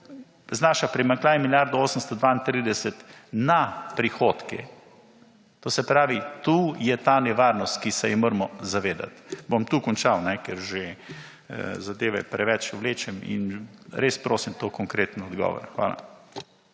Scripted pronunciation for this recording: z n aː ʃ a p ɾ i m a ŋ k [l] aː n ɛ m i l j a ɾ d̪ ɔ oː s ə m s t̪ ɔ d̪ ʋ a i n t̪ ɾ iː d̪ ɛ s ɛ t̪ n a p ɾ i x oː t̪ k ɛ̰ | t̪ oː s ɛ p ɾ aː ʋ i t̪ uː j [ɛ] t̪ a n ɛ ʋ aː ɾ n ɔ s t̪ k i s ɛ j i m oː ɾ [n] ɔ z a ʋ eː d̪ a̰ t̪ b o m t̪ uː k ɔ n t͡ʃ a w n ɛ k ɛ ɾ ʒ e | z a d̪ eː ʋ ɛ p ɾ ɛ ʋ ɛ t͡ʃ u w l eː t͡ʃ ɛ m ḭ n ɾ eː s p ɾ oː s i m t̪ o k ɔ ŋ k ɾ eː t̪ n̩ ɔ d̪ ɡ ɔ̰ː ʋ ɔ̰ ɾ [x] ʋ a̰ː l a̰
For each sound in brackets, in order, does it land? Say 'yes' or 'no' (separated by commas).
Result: yes, yes, no, yes